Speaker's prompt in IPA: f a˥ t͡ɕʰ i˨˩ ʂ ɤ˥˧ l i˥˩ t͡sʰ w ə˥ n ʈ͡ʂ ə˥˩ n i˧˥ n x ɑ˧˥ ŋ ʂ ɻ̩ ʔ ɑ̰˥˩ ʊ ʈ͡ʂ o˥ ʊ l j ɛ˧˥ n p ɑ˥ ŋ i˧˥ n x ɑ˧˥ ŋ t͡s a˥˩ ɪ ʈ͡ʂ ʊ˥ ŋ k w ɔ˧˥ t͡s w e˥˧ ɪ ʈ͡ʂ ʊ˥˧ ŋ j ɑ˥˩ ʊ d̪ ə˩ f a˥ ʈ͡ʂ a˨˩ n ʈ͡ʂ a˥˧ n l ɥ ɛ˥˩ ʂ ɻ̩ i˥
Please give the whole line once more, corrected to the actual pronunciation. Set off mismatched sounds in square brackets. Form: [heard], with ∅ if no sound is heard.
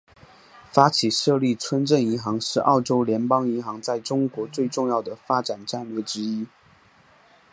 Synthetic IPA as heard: f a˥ t͡ɕʰ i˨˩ ʂ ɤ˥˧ l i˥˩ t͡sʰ w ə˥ n ʈ͡ʂ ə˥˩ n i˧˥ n x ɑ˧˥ ŋ ʂ ɻ̩ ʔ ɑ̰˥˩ ʊ ʈ͡ʂ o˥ ʊ l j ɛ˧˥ n p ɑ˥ ŋ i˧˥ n x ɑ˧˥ ŋ t͡s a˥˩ ɪ ʈ͡ʂ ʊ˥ ŋ k w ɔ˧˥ t͡s w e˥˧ ɪ ʈ͡ʂ ʊ˥˧ ŋ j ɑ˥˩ ʊ d̪ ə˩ f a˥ ʈ͡ʂ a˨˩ n ʈ͡ʂ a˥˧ n l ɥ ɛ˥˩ [ʈ͡ʂ] ɻ̩ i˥

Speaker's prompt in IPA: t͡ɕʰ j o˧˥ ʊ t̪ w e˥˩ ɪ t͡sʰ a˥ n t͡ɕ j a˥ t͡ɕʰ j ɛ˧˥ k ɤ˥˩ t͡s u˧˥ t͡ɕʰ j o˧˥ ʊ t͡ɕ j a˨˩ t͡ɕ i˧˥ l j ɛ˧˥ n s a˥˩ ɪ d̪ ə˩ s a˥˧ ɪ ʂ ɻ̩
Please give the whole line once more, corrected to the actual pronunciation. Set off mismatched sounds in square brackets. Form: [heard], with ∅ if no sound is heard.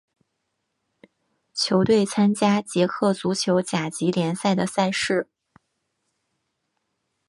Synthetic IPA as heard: t͡ɕʰ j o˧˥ ʊ t̪ w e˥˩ ɪ t͡sʰ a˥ n t͡ɕ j a˥ [t͡ɕ] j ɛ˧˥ [kʰ] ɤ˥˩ t͡s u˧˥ t͡ɕʰ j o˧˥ ʊ t͡ɕ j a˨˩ t͡ɕ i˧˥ l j ɛ˧˥ n s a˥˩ ɪ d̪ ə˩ s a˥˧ ɪ ʂ ɻ̩

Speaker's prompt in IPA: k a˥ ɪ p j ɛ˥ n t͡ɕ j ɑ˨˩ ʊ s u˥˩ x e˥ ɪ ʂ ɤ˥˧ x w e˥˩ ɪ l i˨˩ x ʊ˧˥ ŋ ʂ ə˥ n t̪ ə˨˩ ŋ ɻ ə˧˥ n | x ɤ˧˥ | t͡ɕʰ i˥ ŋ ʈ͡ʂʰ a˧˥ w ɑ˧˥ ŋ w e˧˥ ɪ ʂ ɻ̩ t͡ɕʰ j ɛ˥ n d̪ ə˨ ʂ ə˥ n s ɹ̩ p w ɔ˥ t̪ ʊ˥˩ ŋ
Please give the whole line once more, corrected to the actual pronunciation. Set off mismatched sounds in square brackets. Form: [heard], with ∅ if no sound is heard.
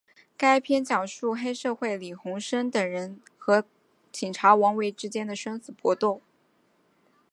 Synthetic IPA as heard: k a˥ ɪ [pʰ] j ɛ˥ n t͡ɕ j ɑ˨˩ ʊ [ʂ] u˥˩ x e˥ ɪ ʂ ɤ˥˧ x w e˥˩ ɪ l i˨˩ x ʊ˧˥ ŋ ʂ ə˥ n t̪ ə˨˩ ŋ ɻ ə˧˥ n | x ɤ˧˥ | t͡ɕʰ [i˨˩] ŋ ʈ͡ʂʰ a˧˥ w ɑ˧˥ ŋ w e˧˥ ɪ [ʈ͡ʂ] ɻ̩ [t͡ɕ] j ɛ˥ n d̪ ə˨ ʂ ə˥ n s ɹ̩ p w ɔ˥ t̪ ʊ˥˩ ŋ

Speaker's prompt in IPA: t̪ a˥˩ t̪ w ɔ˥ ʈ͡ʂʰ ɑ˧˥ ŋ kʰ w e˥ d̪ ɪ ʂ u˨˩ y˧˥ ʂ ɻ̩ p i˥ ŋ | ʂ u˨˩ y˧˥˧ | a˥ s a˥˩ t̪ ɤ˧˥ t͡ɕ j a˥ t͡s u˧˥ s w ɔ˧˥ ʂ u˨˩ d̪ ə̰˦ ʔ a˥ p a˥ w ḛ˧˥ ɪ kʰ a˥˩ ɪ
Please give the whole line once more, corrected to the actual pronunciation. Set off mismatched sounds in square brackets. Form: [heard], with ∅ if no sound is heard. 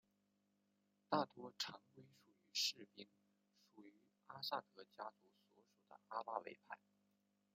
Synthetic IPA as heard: t̪ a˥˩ t̪ w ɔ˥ ʈ͡ʂʰ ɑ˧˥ ŋ [k] w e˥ [∅] ɪ ʂ u˨˩ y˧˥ ʂ ɻ̩ p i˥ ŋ | ʂ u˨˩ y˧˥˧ | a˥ s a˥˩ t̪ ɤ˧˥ t͡ɕ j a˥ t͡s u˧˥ s w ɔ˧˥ ʂ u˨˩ d̪ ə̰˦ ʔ a˥ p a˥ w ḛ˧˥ ɪ [pʰ] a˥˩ ɪ

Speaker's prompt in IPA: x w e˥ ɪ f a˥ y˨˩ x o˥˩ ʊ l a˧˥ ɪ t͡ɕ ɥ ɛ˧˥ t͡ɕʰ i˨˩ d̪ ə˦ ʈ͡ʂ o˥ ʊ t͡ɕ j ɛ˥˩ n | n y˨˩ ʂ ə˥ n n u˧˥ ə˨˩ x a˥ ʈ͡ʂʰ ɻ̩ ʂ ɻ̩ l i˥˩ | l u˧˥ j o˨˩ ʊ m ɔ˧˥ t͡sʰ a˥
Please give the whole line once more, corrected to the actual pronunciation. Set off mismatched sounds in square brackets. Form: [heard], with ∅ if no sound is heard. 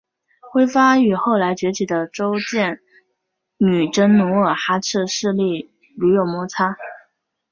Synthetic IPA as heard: x w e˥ ɪ f a˥ y˨˩ x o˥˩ ʊ l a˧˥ ɪ t͡ɕ ɥ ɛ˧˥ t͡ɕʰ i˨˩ d̪ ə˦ ʈ͡ʂ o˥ ʊ t͡ɕ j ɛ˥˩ n | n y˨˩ [ʈ͡ʂ] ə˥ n n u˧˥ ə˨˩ x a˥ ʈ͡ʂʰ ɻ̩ ʂ ɻ̩ l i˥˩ | l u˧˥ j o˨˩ ʊ m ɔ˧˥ t͡sʰ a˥

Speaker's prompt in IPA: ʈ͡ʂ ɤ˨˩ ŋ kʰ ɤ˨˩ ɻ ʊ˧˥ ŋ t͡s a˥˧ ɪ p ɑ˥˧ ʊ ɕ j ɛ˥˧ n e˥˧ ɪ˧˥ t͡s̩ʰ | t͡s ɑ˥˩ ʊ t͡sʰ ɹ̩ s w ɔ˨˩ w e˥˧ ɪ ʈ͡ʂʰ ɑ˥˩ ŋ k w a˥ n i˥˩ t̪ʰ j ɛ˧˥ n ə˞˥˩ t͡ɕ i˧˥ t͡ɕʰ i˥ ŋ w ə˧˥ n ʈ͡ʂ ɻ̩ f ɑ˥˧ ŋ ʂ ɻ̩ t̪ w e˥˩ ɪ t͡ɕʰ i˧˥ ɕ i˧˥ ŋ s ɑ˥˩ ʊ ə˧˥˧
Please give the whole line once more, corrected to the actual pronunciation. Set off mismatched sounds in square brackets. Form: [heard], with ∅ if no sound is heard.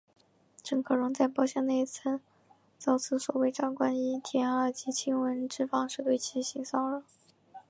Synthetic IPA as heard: ʈ͡ʂ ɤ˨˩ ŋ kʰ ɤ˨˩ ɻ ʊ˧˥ ŋ t͡s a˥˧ ɪ p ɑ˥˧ ʊ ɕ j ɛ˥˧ n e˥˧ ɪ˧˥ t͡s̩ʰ | t͡s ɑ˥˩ ʊ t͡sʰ ɹ̩ s w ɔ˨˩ w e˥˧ ɪ [ʈ͡ʂ] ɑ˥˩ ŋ k w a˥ n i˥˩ t̪ʰ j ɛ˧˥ n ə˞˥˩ t͡ɕ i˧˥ t͡ɕʰ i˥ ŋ w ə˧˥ n ʈ͡ʂ ɻ̩ f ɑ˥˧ ŋ ʂ ɻ̩ t̪ w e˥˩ ɪ t͡ɕʰ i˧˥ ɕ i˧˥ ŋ s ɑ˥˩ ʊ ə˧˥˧

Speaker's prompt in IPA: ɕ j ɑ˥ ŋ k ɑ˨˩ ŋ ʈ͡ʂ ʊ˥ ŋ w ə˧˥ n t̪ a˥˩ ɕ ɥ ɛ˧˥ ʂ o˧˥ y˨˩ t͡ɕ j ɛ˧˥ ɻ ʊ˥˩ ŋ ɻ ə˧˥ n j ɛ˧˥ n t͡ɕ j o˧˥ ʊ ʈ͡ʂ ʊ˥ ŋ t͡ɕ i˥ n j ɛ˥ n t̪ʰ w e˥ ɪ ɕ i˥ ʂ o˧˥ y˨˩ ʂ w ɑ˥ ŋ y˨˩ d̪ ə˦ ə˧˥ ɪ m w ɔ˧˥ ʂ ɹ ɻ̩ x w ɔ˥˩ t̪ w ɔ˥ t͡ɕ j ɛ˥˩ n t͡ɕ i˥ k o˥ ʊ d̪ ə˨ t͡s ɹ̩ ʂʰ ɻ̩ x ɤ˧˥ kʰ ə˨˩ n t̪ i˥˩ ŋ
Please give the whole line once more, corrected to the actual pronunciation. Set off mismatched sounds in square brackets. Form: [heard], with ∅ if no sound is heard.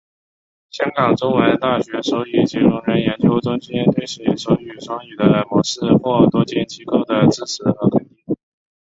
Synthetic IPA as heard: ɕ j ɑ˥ ŋ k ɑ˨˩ ŋ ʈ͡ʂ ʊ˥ ŋ w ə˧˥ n t̪ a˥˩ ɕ ɥ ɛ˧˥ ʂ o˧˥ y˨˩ t͡ɕ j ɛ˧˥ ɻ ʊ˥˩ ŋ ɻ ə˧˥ n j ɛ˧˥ n t͡ɕ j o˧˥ ʊ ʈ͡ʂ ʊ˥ ŋ t͡ɕ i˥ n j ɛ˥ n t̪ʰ w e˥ ɪ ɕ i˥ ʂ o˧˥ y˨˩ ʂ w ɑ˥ ŋ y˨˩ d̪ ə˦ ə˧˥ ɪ m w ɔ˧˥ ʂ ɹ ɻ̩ x w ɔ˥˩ t̪ w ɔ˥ t͡ɕ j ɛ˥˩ n t͡ɕ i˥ k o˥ ʊ d̪ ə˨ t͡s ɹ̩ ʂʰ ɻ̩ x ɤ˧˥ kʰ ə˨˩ n t̪ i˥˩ ŋ

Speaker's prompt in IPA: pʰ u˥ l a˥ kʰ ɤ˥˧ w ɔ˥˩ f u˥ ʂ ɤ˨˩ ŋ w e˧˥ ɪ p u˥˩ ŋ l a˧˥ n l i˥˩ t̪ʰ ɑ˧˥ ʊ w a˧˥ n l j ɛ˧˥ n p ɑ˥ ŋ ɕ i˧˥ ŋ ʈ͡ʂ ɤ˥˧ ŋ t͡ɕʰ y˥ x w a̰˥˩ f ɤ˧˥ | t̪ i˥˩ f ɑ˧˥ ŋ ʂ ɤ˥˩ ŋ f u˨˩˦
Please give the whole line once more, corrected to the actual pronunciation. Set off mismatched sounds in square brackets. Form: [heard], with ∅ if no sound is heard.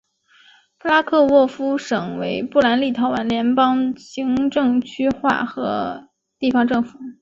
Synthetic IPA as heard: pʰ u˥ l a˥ kʰ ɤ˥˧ w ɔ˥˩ f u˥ ʂ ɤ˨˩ ŋ w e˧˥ ɪ p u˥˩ [∅] l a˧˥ n l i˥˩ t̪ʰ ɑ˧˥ ʊ w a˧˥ n l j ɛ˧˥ n p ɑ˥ ŋ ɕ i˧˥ ŋ ʈ͡ʂ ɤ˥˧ ŋ t͡ɕʰ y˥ x w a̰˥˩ [x] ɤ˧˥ | t̪ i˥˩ f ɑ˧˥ ŋ [ʈ͡ʂ] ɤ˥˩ ŋ f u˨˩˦

